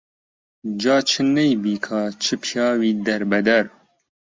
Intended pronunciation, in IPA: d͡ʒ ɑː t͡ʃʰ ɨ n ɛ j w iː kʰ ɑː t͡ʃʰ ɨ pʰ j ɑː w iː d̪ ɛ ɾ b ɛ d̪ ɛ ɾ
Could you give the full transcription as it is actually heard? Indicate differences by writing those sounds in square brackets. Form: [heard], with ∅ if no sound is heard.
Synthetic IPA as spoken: d͡ʒ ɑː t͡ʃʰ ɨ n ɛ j [b] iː kʰ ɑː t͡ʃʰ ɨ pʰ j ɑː w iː d̪ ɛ ɾ b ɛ d̪ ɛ ɾ